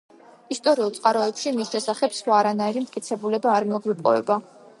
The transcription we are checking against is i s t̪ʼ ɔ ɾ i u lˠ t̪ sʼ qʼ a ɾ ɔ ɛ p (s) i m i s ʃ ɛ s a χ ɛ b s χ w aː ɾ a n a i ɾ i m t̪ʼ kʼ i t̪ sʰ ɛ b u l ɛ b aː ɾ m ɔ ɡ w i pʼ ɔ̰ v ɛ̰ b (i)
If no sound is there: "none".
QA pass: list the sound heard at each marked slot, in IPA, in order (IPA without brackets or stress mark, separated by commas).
ʃ, a